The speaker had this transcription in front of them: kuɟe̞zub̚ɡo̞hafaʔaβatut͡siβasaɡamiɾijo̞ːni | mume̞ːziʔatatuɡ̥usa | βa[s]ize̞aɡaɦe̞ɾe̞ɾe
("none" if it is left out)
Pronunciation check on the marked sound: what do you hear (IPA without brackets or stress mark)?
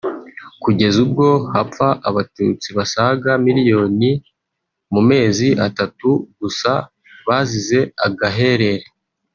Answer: z